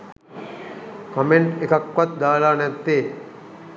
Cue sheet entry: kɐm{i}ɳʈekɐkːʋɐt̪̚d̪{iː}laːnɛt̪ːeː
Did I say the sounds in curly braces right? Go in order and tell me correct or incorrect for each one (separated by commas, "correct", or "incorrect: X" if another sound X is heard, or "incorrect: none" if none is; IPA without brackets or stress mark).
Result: incorrect: e, incorrect: aː